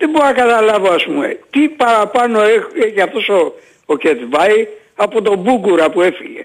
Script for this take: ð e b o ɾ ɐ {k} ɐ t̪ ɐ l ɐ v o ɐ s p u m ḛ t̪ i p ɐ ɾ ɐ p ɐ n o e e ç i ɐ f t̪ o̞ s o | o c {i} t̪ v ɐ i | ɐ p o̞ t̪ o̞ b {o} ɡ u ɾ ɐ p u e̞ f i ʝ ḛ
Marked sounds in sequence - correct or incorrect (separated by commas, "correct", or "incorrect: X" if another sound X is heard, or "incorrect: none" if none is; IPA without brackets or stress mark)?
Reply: correct, incorrect: e, incorrect: u